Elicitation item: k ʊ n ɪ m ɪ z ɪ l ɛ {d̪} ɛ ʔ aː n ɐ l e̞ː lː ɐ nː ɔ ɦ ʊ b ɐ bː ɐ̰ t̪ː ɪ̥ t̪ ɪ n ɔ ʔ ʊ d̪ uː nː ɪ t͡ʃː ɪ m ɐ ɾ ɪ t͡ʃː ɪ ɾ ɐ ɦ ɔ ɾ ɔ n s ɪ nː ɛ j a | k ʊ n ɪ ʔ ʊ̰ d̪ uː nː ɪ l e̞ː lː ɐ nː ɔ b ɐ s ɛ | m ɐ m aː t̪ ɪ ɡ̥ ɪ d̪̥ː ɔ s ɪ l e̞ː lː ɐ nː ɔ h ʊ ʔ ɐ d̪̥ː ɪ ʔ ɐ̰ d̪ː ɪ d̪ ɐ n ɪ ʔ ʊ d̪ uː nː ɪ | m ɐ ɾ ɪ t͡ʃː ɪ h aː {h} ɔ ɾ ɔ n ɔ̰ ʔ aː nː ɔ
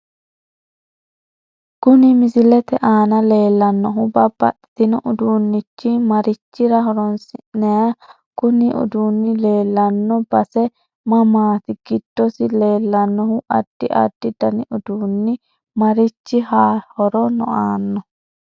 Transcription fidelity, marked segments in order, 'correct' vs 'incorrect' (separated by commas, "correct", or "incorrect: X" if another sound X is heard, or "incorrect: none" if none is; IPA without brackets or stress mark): incorrect: t̪, correct